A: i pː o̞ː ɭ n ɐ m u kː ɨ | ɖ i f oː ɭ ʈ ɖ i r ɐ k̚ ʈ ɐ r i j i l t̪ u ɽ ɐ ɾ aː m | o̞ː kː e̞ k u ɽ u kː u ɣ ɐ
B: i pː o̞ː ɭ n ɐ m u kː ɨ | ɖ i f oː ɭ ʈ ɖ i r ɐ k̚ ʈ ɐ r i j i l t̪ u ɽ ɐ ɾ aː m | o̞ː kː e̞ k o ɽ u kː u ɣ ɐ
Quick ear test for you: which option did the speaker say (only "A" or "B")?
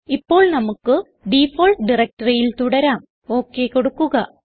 B